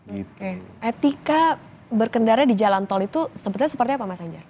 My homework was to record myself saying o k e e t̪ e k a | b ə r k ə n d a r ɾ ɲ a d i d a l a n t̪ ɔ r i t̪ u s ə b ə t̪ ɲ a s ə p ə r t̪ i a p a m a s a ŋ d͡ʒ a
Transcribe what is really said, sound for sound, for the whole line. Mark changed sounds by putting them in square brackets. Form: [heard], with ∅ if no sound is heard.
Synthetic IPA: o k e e t̪ [i] k a | b ə r k ə n d a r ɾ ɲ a d i [d͡ʒ] a l a n t̪ ɔ [l] i t̪ u s ə b ə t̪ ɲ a s ə p ə r t̪ i a p a m a s a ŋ d͡ʒ a